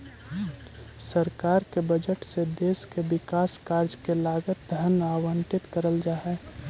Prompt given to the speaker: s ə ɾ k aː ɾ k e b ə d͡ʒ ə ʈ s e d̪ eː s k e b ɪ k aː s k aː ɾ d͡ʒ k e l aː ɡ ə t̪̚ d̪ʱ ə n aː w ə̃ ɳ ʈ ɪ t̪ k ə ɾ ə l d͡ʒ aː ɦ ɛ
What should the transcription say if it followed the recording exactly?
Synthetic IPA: s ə ɾ k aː ɾ k e b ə d͡ʒ ə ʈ s e d̪ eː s k e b ɪ k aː s k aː ɾ d͡ʒ k e l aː ɡ ə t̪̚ d̪ʱ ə n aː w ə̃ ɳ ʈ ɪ t̪ k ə ɾ ə l d͡ʒ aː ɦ ɛ